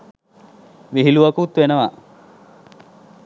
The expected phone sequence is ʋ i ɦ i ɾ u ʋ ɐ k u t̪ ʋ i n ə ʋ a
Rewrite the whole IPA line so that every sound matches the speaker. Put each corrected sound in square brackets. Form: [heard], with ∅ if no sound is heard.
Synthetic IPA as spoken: ʋ i ɦ i [l] u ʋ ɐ k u t̪ ʋ [e] n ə ʋ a